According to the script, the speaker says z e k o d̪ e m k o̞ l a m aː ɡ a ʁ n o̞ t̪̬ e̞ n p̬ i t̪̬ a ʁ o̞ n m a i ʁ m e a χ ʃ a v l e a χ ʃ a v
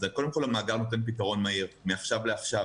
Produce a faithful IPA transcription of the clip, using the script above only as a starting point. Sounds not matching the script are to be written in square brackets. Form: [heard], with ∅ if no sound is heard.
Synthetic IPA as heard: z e k o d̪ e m k o̞ l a m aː ɡ a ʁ n o̞ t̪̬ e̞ n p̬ i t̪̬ a ʁ o̞ n m a i ʁ m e a χ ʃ a v l e a χ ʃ a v

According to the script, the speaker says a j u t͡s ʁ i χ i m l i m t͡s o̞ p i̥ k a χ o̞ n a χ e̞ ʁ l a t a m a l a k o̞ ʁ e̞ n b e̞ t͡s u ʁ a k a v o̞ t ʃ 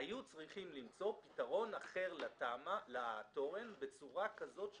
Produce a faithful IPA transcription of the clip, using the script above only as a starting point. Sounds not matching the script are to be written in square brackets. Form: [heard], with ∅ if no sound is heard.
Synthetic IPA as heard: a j u t͡s ʁ i χ i m l i m t͡s o̞ p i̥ [t] a [ʁ] o̞ n a χ e̞ ʁ l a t a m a l a [t] o̞ ʁ e̞ n b e̞ t͡s u ʁ a k a [z] o̞ t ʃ

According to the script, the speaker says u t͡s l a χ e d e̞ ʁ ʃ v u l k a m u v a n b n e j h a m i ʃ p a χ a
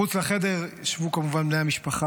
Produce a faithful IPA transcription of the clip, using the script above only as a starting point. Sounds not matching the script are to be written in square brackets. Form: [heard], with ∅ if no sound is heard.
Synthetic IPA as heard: u t͡s l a χ e d e̞ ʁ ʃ v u [∅] k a m u v a n b n e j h a m i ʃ p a χ a

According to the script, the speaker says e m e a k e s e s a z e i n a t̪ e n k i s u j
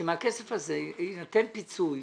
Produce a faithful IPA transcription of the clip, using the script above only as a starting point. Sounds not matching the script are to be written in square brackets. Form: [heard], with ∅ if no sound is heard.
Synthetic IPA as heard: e m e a k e s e [f] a z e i n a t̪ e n [p] i [t͡s] u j

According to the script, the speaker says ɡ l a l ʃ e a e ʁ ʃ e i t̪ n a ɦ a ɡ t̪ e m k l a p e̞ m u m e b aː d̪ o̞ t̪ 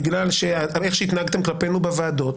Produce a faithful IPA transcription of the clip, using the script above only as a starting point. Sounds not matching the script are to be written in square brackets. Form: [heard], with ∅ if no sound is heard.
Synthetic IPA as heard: ɡ l a l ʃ e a e [χ] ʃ e i t̪ n a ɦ a ɡ t̪ e m k l a p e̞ [n] u [b] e [v] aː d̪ o̞ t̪

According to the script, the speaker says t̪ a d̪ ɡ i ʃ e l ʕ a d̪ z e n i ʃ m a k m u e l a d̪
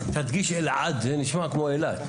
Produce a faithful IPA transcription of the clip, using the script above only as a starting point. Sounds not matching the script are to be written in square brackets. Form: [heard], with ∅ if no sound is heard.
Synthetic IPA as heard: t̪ a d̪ ɡ i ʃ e l ʕ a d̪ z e n i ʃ m a k m [o] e l a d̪

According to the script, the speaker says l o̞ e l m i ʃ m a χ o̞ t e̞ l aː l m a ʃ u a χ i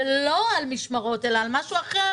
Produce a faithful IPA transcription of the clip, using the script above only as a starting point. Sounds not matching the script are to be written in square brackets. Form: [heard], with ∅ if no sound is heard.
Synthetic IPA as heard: l o̞ [a] l m i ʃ m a [ʁ] o̞ t e̞ l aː l m a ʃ u a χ [e]

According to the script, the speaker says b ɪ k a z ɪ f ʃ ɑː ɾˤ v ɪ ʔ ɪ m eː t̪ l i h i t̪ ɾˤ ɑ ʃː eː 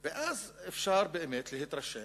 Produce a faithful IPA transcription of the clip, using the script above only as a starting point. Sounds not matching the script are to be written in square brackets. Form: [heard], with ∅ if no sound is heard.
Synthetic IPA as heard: b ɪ [ʔ] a z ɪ f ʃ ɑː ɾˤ [b] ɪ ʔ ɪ m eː t̪ l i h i t̪ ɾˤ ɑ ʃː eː

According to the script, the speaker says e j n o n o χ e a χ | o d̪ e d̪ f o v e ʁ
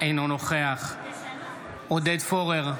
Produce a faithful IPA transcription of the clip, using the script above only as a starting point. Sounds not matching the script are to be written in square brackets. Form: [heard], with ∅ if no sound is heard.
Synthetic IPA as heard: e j n o n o χ e a χ | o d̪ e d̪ f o [ʁ] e ʁ

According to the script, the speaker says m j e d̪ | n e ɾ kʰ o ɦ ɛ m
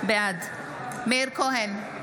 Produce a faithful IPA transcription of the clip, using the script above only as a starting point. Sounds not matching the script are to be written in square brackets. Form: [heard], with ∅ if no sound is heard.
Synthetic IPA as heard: [b] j [a] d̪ | [m] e ɾ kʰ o ɦ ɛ [n]

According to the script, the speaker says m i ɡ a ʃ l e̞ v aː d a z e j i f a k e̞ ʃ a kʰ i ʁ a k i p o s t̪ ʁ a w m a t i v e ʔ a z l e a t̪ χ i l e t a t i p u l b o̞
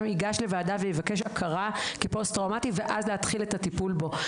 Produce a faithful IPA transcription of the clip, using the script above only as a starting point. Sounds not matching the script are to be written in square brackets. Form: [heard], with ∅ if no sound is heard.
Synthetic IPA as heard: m i ɡ a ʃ l e̞ v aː d a [v] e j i [v] a k e̞ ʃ a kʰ [a] ʁ a k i p o s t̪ ʁ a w m a t i v e ʔ a z l e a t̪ χ i l e t a t i p u l b o̞

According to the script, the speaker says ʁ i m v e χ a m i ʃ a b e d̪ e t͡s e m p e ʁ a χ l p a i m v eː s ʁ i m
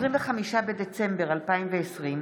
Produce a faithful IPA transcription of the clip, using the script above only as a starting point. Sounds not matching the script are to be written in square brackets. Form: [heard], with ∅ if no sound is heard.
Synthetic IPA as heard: ʁ i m v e χ a m i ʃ a b e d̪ e t͡s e m [b] e ʁ a [∅] l p a i m v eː s ʁ i m

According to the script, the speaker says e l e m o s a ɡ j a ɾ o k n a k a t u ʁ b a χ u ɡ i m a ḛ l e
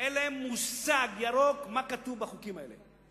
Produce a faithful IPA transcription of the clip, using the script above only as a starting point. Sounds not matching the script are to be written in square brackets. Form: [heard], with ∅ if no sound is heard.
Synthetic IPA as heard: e l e m [u] s a ɡ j a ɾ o k [m] a k a t u [v] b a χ u [k] i m a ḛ l e

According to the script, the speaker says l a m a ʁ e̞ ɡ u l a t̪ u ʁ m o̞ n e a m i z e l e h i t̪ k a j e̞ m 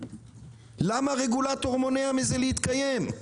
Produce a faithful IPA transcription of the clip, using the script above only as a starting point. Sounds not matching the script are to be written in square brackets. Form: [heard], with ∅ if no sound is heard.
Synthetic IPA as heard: l a m a ʁ e̞ ɡ u l a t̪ [o] ʁ m o̞ n e a m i z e l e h i t̪ k a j e̞ m

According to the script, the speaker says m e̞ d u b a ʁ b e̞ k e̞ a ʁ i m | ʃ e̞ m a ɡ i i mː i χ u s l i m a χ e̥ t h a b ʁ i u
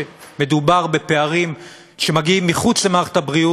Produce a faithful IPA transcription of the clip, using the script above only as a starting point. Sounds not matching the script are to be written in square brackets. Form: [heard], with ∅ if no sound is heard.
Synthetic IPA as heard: m e̞ d u b a ʁ b e̞ [p] e̞ a ʁ i m | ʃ e̞ m a ɡ i i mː i χ u [t͡s] l [e] m a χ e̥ t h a b ʁ i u

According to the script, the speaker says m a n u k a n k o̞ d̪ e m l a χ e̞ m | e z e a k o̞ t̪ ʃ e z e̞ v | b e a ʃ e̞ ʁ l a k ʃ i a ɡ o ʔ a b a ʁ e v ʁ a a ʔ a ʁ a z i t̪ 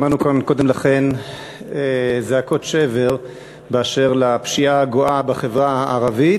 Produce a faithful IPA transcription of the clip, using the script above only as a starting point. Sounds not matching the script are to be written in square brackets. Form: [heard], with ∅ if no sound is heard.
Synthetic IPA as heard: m a n u k a n k o̞ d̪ e m l a χ e̞ [n] | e z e a k o̞ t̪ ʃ e [v] e̞ [ʁ] | b e a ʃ e̞ ʁ l a [p] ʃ i a ɡ o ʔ a b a [χ] e v ʁ a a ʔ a ʁ a [v] i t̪

